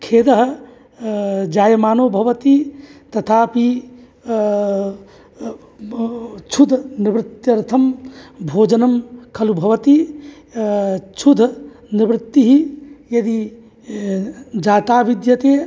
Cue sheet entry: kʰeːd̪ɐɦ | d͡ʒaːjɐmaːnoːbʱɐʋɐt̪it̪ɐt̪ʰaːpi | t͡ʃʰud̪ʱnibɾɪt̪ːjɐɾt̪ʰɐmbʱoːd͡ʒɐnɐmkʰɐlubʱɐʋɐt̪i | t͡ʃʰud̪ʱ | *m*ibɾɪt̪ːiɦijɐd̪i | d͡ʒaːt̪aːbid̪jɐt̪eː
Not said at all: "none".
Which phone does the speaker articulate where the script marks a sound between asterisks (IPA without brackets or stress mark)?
n